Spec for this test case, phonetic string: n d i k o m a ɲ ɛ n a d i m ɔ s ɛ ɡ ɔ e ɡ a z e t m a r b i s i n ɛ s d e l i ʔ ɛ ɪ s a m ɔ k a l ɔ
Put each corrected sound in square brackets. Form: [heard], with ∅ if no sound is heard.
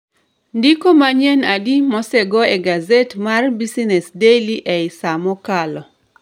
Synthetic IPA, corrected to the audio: n d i k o m a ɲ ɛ n a d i m ɔ s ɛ ɡ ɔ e ɡ a z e t m a r b i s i n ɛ s d e l i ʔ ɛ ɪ s a m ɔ k a l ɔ